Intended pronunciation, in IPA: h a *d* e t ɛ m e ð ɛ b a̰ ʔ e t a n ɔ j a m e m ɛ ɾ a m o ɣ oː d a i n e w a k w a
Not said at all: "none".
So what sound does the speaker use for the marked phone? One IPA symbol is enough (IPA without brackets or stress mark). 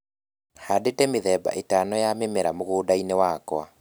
d